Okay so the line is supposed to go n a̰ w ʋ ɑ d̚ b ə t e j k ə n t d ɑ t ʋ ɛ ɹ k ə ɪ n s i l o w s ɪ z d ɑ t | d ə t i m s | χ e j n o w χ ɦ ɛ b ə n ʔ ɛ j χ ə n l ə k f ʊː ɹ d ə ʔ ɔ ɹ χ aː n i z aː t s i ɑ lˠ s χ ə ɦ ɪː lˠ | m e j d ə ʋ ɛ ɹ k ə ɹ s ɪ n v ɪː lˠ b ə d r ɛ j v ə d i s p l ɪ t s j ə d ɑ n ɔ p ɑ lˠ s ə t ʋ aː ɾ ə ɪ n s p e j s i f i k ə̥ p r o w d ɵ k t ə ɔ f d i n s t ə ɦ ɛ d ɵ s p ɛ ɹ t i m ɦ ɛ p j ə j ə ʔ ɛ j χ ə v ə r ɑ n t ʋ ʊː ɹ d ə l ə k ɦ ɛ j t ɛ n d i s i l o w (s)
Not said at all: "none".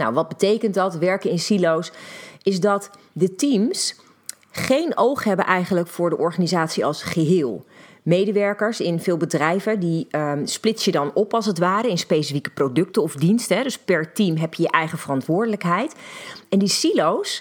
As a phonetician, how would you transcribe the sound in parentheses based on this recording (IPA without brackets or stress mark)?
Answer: s